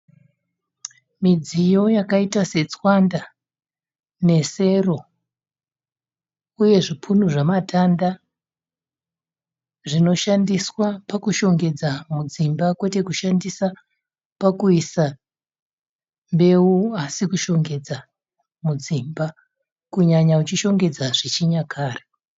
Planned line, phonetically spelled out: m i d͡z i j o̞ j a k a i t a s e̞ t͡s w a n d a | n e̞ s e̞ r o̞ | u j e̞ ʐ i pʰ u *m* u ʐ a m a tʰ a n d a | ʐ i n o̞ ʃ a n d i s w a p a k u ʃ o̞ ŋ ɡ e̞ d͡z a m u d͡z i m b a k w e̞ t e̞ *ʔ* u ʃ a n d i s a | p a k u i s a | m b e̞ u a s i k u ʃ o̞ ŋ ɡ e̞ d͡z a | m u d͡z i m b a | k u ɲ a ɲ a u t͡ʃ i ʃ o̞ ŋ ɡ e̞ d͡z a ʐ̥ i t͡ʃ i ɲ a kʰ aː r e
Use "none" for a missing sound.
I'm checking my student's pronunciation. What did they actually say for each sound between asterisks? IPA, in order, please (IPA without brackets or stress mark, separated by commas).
n, k